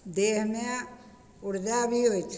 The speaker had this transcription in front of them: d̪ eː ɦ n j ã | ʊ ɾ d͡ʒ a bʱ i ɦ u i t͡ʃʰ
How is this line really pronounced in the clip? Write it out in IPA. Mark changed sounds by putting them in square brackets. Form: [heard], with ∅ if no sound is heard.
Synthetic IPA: d̪ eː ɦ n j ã | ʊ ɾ d͡ʒ a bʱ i ɦ [o] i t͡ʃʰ